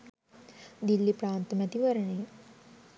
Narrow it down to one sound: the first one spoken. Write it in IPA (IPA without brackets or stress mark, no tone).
d̪